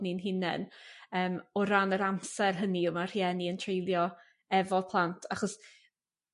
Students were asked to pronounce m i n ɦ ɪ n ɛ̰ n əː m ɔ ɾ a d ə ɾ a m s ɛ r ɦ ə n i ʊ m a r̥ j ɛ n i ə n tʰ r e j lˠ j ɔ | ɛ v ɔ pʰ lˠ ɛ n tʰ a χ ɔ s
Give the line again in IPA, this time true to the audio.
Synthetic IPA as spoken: n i n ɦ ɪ n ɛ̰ n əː m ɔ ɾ a n ə ɾ a m s ɛ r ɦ ə n i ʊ m a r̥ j ɛ n i ə n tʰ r e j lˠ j ɔ | ɛ v ɔ pʰ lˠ a n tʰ a χ ɔ s